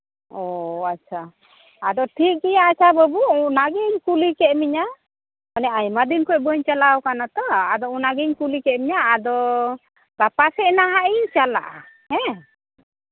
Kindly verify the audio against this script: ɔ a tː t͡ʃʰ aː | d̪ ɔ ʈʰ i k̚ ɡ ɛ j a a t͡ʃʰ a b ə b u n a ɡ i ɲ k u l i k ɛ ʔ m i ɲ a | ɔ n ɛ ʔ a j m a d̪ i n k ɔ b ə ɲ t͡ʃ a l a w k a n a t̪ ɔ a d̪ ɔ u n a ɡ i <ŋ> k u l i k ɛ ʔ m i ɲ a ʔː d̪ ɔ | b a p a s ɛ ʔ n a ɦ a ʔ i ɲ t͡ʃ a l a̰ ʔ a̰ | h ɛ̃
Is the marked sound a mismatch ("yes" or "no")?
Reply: yes